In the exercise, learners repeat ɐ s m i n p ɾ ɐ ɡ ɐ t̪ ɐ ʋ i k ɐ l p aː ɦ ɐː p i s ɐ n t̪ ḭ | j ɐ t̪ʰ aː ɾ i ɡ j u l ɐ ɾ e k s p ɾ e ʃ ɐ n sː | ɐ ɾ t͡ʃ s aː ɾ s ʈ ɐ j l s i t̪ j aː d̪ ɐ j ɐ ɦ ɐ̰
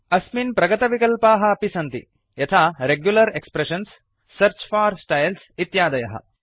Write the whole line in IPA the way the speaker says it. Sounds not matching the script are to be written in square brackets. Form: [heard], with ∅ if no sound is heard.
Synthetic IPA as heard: ɐ s m i n p ɾ ɐ ɡ ɐ t̪ ɐ ʋ i k ɐ l p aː ɦ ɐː p i s ɐ n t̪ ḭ | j ɐ t̪ʰ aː ɾ [e] ɡ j u l ɐ ɾ e k s p ɾ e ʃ ɐ n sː | ɐ ɾ t͡ʃ [f] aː ɾ s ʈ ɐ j l s i t̪ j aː d̪ ɐ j ɐ ɦ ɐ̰